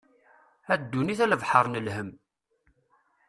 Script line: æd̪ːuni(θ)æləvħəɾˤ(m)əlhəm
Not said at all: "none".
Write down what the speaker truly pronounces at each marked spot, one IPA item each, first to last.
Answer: θ, n

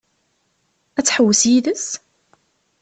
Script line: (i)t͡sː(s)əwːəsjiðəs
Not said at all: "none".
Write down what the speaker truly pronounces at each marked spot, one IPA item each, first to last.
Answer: æ, ħ

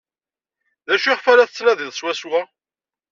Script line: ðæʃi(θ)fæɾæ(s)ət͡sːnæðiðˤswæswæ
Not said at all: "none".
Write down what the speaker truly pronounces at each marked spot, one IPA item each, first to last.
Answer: χ, θ

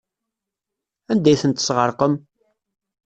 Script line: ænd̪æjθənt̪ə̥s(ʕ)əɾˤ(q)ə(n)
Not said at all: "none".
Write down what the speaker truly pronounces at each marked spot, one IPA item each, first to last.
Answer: ʁ, q, m

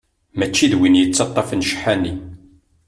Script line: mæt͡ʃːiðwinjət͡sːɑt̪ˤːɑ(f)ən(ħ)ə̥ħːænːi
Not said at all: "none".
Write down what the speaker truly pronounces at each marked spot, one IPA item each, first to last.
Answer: f, ʃ

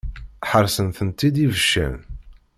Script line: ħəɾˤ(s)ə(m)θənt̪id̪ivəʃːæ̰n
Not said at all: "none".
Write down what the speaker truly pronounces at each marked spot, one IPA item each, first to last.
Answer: s, n

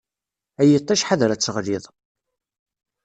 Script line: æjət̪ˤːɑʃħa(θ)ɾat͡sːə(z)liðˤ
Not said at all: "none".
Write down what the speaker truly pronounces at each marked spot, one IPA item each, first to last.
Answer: ð, ʁ

